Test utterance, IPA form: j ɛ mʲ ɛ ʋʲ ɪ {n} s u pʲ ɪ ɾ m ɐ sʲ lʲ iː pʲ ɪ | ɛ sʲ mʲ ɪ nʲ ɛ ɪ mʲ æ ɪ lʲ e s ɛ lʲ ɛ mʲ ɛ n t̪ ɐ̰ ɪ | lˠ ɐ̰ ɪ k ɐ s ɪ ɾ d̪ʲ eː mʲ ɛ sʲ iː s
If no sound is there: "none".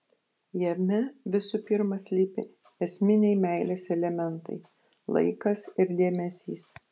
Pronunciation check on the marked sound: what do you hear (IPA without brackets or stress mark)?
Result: none